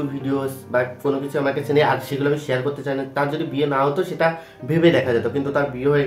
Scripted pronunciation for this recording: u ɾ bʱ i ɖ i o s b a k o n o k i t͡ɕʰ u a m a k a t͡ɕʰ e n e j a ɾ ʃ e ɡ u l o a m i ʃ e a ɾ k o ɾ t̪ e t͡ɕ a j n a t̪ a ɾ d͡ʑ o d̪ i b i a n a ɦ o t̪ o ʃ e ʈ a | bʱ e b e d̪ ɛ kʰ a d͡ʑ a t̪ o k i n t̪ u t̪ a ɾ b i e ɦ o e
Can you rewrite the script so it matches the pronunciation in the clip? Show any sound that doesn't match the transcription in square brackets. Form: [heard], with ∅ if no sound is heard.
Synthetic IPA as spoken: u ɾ bʱ i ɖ i o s b a k o n o k i t͡ɕʰ u a m a k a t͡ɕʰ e n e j a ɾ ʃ e ɡ u l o a m i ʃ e a ɾ k o ɾ t̪ e t͡ɕ a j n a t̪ a ɾ d͡ʑ o d̪ i b i [e] n a ɦ o t̪ o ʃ e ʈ a | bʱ e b e d̪ ɛ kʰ a d͡ʑ a t̪ o k i n t̪ u t̪ a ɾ b i e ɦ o e